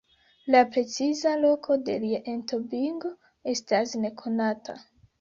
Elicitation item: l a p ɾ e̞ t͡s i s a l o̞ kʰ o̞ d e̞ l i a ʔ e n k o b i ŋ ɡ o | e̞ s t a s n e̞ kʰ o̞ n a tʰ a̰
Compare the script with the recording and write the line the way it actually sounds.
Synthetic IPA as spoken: l a p ɾ e̞ t͡s i z a l o̞ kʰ o̞ d e̞ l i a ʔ e n t o b i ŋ ɡ o | e̞ s t a s n e̞ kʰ o̞ n a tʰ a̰

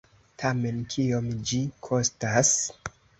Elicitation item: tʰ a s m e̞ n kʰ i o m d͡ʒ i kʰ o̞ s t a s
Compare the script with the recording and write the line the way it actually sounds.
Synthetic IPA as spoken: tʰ a m e̞ n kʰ i o m d͡ʒ i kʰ o̞ s t a s

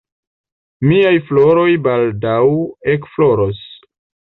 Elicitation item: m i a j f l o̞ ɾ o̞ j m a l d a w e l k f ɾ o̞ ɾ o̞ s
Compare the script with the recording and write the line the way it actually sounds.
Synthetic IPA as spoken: m i a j f l o̞ ɾ o̞ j b a l d a w e k f l o̞ ɾ o̞ s

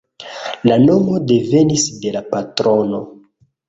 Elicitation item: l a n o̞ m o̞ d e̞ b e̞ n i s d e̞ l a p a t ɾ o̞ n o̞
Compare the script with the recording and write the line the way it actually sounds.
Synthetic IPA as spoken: l a n o̞ m o̞ d e̞ v e̞ n i s d e̞ l a p a t ɾ o̞ n o̞

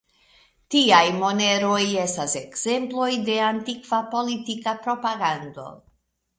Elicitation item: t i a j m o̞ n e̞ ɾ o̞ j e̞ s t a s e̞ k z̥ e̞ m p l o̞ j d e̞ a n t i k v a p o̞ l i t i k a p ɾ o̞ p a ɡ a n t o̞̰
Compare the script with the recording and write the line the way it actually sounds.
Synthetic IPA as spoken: t i a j m o̞ n e̞ ɾ o̞ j e̞ s t a s e̞ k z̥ e̞ m p l o̞ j d e̞ a n t i k v a p o̞ l i t i k a p ɾ o̞ p a ɡ a n d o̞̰

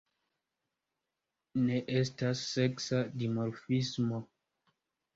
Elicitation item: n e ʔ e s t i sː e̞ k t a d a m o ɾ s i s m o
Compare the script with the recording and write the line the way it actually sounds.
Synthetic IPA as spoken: n e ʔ e s t a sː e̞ k s a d i m o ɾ f i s m o

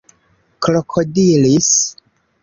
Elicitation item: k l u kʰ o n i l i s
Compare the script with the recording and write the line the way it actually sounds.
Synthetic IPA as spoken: k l o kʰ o d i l i s

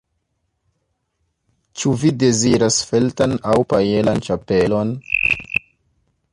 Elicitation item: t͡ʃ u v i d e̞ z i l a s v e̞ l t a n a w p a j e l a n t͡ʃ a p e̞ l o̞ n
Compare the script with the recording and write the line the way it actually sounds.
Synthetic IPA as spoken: t͡ʃ u v i d e̞ z i ɾ a s f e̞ l t a n a w p a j e l a n t͡ʃ a p e̞ l o̞ n

